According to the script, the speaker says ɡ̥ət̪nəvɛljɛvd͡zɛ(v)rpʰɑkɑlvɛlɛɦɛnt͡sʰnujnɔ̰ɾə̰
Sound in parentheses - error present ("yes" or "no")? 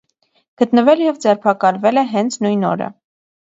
yes